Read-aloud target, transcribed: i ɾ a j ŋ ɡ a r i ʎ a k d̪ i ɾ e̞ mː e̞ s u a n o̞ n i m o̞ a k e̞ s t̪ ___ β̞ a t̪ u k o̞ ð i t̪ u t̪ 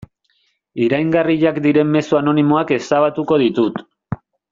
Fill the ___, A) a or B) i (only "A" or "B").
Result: A